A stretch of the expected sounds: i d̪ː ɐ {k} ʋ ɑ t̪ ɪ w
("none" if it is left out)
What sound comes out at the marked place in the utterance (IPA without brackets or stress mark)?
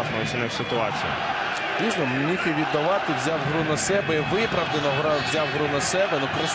none